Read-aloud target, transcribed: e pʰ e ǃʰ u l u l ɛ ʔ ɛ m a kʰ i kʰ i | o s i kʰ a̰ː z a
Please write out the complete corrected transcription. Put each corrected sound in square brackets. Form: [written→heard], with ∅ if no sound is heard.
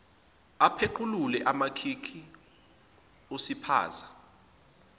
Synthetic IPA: [e→a] pʰ e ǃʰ u l u l ɛ ʔ [ɛ→a] m a kʰ i kʰ i | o s i [kʰ→pʰ] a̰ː z a